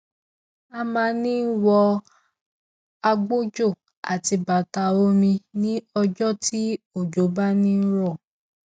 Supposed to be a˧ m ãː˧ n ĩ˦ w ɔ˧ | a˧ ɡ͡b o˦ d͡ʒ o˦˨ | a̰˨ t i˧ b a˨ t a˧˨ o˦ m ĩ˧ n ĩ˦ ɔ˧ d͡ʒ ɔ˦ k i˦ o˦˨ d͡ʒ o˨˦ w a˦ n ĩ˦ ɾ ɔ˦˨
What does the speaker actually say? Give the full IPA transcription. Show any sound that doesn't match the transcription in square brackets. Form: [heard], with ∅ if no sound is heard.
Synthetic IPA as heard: a˧ m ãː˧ n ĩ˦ w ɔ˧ | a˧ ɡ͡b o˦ d͡ʒ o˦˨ | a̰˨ t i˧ b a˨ t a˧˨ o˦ m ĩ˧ n ĩ˦ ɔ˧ d͡ʒ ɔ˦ [t] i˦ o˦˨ d͡ʒ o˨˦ [b] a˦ n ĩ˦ ɾ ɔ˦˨